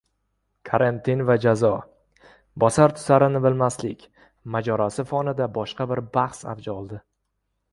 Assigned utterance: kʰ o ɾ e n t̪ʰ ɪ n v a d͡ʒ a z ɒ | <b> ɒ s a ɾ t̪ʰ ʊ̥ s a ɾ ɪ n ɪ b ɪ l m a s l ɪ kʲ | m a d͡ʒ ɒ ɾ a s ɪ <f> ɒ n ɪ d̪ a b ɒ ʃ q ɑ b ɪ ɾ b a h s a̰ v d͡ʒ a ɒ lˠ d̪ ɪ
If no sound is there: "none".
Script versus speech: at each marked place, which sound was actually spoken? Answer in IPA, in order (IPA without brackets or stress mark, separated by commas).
b, f